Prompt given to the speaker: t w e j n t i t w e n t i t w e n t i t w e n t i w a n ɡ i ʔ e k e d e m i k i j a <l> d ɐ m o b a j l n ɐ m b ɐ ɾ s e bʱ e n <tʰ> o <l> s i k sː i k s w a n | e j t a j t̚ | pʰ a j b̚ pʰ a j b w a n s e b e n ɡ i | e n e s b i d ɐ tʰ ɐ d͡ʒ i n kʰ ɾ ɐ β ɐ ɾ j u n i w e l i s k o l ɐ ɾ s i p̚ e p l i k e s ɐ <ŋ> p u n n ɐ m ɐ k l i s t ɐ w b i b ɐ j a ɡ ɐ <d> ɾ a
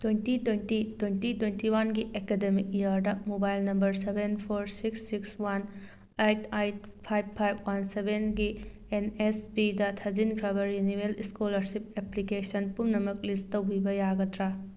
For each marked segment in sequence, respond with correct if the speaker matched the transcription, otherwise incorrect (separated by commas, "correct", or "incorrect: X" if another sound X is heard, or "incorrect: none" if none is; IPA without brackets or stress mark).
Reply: incorrect: ɾ, incorrect: pʰ, incorrect: ɾ, incorrect: n, incorrect: t